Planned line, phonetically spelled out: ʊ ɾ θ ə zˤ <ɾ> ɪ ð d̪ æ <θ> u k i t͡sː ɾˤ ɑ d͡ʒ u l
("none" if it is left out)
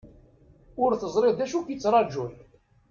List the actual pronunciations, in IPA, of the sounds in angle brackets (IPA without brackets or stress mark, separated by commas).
ɾ, ʃ